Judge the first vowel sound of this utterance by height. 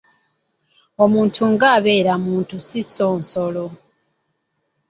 mid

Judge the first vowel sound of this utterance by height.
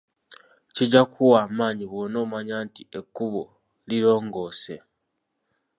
high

